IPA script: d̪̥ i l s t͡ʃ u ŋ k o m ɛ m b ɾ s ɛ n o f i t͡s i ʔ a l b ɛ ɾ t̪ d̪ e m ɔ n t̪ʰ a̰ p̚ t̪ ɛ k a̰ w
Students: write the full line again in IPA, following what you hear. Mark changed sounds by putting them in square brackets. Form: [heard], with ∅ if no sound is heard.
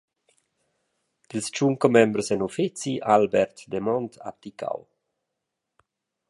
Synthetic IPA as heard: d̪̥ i l s t͡ʃ u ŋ k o m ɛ m b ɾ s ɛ n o f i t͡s i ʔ a l b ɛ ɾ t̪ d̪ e m ɔ n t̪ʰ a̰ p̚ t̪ [i] k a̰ w